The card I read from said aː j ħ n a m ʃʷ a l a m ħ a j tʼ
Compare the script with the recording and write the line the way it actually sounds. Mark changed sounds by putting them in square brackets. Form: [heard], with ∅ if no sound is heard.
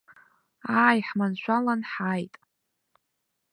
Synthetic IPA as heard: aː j ħ [m] a [n] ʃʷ a l a [n] ħ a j tʼ